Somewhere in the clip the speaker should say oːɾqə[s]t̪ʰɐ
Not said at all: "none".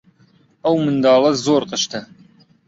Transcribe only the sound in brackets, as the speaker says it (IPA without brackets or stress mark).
ʃ